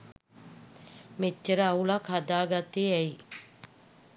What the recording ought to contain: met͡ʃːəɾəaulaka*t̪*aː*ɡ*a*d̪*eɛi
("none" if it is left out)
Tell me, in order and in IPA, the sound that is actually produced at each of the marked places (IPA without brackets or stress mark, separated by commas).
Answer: d̪, ɡ, t̪